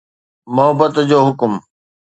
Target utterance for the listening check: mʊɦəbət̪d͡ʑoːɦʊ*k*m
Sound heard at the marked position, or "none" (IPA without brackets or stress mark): k